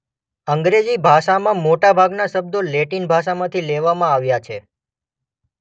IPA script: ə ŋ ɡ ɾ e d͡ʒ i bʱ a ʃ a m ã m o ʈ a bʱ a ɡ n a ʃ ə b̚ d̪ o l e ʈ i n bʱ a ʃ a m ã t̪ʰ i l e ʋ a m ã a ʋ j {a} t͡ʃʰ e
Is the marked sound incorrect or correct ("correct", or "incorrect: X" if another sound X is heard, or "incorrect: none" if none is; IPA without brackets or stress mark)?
correct